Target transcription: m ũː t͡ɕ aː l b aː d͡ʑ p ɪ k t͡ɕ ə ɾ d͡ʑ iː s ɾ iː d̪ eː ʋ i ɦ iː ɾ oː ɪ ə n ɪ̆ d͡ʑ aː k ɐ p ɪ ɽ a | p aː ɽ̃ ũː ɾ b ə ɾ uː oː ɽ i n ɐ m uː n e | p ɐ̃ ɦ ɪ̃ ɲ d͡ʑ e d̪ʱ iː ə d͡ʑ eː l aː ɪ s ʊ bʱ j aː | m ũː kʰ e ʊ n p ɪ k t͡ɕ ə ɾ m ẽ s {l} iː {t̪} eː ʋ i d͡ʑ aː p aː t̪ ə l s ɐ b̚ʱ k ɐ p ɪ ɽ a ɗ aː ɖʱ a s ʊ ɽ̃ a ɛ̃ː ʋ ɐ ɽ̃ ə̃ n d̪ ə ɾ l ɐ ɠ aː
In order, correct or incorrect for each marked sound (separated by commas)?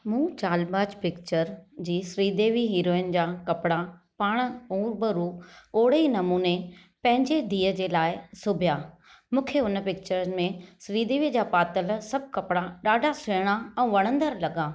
incorrect, incorrect